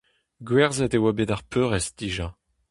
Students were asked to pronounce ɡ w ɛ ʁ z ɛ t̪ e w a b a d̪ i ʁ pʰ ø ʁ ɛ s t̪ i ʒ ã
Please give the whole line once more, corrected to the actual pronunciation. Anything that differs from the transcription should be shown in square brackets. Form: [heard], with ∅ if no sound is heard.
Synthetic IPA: ɡ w ɛ ʁ z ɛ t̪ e w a b [e] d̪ [a] ʁ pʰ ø ʁ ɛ s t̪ i ʒ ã